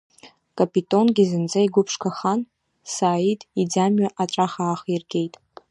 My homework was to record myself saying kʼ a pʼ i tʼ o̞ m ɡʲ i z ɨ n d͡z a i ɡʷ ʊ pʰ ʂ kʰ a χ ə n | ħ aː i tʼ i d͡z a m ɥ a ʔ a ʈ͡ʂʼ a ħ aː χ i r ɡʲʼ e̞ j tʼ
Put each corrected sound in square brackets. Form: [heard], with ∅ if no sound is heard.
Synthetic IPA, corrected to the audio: kʼ a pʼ i tʼ o̞ [n] ɡʲ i z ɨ n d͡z a i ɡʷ ʊ pʰ ʂ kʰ a χ [a] n | [s] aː i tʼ i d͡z a m ɥ a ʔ a ʈ͡ʂʼ a [χ] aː χ i r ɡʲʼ e̞ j tʼ